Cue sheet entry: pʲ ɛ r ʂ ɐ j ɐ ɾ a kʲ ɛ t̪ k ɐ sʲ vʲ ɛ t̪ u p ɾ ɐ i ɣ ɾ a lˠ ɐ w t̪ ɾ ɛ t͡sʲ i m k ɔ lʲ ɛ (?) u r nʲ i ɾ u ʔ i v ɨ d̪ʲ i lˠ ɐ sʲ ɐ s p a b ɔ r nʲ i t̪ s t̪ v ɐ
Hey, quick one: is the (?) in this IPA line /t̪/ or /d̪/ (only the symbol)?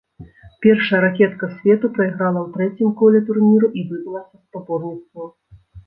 t̪